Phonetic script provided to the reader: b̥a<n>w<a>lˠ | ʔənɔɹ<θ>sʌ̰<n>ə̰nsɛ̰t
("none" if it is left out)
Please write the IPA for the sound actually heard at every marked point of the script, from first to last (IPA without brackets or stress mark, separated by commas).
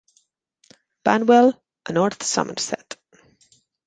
n, ɛ, θ, m